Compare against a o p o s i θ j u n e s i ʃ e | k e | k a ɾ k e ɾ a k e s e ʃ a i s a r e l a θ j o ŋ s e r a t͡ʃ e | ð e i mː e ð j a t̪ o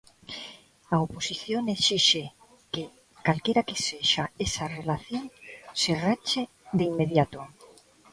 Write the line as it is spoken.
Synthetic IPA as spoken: a o p o s i θ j o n e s i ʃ e | k e | k a l k e ɾ a k e s e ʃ a e s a r e l a θ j o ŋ s e r a t͡ʃ e | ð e i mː e ð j a t̪ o